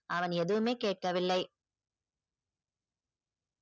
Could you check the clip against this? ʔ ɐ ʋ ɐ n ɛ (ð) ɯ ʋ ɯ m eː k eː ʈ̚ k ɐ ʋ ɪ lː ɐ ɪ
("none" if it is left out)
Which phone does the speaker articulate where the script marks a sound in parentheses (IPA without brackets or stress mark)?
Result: ð